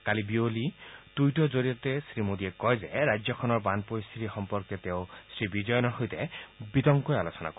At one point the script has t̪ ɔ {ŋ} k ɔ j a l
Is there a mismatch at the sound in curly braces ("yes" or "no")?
no